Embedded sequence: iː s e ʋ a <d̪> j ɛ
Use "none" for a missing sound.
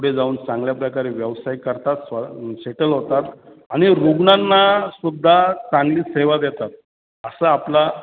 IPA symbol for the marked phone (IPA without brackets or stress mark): d̪